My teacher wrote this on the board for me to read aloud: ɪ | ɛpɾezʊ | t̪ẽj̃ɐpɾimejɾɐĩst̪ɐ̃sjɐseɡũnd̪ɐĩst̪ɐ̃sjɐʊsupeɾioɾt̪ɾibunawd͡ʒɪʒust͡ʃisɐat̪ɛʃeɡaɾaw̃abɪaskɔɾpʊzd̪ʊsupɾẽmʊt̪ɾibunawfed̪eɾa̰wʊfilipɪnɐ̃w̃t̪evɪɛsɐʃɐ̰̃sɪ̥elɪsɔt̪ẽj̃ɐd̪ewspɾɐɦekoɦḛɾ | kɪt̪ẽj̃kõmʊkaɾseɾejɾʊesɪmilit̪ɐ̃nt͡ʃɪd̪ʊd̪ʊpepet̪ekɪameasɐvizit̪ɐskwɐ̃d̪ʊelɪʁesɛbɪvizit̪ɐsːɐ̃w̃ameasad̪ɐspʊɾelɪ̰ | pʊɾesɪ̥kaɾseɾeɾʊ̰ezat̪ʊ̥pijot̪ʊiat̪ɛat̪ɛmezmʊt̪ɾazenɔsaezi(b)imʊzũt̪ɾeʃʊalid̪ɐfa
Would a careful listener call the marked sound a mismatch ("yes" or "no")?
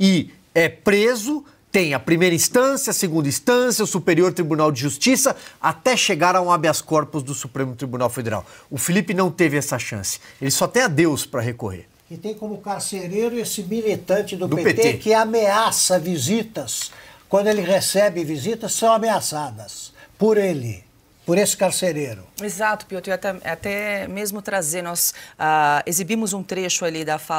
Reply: no